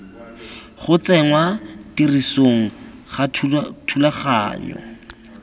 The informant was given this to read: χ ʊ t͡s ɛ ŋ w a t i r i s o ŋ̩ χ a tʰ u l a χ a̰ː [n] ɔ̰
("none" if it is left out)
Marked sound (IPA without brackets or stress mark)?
ɲ